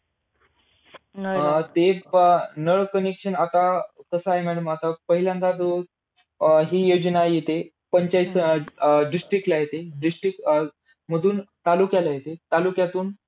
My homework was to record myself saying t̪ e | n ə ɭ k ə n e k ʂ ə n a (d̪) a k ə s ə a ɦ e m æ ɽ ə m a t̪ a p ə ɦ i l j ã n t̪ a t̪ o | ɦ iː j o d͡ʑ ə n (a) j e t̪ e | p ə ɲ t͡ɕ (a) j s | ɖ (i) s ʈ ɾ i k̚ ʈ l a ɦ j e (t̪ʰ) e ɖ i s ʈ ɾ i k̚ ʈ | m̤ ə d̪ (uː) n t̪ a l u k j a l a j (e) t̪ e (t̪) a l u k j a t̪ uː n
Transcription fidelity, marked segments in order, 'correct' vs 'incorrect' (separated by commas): incorrect, correct, correct, correct, incorrect, correct, correct, correct